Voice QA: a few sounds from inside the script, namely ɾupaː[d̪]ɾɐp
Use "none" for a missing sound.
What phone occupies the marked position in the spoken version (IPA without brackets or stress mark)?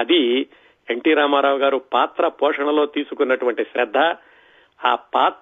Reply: t̪